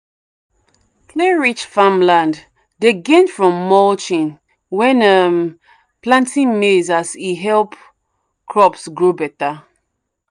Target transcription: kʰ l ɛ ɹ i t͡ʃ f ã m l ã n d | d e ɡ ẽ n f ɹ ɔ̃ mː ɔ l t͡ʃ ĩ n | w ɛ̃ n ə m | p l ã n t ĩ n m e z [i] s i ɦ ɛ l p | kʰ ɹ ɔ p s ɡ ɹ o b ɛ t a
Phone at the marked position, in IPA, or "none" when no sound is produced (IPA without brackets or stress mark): a